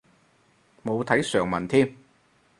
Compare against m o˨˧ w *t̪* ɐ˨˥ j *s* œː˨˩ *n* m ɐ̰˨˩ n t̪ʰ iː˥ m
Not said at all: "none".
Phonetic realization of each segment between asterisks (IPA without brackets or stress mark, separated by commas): t̪ʰ, s, ŋ